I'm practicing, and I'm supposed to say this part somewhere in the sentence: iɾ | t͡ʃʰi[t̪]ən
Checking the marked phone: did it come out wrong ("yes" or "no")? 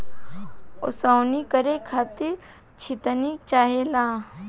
no